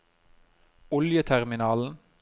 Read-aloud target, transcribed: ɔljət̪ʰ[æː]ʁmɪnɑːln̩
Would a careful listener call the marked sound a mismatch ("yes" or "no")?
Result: yes